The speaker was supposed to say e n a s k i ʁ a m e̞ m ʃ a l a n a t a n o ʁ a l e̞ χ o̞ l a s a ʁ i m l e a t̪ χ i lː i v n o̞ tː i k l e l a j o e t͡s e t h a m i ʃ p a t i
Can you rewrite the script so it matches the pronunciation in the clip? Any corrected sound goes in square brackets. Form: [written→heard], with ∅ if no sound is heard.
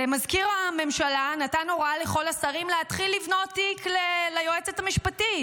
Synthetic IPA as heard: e [n→m] a [s→z] k i ʁ a m e̞ m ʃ a l a n a t a n o ʁ a l e̞ χ o̞ l a s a ʁ i m l e a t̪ χ i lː i v n o̞ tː i k l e l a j o e t͡s e t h a m i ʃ p a t i

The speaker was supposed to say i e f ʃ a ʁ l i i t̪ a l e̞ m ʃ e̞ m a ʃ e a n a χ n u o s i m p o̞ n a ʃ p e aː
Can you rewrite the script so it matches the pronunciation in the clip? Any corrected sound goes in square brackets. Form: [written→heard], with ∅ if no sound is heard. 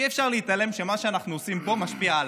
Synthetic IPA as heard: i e f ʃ a ʁ l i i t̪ a l e̞ m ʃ e̞ m a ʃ e a n a χ n u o s i m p o̞ [n→m] a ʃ p [e→i] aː

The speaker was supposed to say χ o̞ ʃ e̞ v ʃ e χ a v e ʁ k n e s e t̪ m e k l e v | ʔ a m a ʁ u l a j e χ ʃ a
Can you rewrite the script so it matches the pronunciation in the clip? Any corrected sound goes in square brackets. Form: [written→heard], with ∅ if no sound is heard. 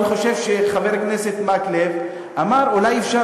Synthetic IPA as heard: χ o̞ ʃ e̞ v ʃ e χ a v e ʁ k n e s e t̪ m [e→a] k l e v | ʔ a m a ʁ u l a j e [χ→f] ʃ a

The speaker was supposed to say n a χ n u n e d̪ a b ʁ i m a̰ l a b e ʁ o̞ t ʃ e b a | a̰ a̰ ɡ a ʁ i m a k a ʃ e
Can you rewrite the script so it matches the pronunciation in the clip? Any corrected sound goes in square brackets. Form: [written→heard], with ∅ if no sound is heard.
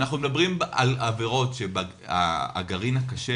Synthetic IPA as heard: n a χ n u [n→m] e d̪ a b ʁ i m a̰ l a [b→v] e ʁ o̞ t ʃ e b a | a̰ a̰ ɡ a ʁ i [m→n] a k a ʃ e

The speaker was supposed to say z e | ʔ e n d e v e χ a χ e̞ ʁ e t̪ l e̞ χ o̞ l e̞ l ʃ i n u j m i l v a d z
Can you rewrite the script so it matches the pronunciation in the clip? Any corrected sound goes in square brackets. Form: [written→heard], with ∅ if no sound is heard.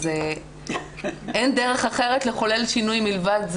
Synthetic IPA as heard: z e | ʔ e n d e [v→ʁ] e χ a χ e̞ ʁ e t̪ l e̞ χ o̞ l e̞ l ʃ i n u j m i l v a d z

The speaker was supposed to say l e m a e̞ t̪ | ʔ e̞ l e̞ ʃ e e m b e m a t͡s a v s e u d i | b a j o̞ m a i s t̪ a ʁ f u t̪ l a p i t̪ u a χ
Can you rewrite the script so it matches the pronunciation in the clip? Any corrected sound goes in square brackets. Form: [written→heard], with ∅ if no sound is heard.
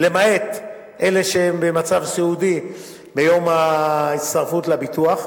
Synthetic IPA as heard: l e m a e̞ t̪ | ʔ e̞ l e̞ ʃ e e m b e m a t͡s a v s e u d i | b [a→e] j o̞ m a i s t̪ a ʁ f u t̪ l a [p→b] i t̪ u a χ

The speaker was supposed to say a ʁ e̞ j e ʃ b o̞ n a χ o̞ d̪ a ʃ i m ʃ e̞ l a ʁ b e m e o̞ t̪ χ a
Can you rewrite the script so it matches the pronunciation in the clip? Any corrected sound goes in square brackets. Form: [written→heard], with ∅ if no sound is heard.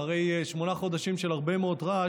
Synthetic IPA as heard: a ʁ e̞ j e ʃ [b→m] o̞ n a χ o̞ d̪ a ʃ i m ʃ e̞ l a ʁ b e m e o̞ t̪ [χ→ʁ] a

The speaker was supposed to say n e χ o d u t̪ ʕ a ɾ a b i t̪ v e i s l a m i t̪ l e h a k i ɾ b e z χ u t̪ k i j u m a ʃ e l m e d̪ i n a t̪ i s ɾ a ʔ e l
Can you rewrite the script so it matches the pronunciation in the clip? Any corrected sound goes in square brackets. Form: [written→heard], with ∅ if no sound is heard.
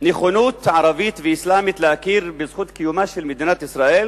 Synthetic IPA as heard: n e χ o [d→n] u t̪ ʕ a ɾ a [b→v] i t̪ v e i s l a m i t̪ l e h a k i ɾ b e z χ u t̪ k i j u m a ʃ e l m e d̪ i n a t̪ i s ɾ a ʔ e l

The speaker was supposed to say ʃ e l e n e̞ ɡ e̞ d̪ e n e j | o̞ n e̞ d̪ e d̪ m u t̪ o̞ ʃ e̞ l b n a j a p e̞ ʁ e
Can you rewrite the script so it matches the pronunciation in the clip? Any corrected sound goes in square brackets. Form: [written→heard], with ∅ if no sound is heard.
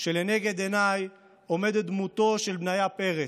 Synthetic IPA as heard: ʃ e l e n e̞ ɡ e̞ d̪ e n [e→a] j | o̞ [n→m] e̞ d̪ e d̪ m u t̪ o̞ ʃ e̞ l b n a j a p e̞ ʁ e

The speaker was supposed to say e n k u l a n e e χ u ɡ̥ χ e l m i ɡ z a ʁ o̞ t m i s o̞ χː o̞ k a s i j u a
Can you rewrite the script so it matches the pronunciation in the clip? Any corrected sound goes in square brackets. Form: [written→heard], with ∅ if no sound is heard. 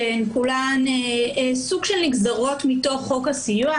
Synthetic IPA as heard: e n k u l a n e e [χ→s] u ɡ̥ [χ→ʃ] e l [m→n] i ɡ z a ʁ o̞ t m i [s→t] o̞ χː o̞ k a s i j u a

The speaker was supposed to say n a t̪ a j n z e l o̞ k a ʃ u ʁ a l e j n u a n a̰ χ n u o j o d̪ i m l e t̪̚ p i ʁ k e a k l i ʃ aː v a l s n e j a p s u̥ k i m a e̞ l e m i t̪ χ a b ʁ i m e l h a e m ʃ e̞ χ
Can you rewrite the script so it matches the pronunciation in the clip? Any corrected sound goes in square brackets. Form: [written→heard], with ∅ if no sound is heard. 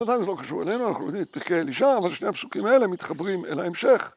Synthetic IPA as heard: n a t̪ a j n z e l o̞ k a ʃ u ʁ [a→e] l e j n u a n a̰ χ n u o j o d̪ i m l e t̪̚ p i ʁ k e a [k→∅] l i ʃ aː v a l [s→ʃ] n e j a p s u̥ k i m a e̞ l e m i t̪ χ a b ʁ i m e l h a e m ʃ e̞ χ

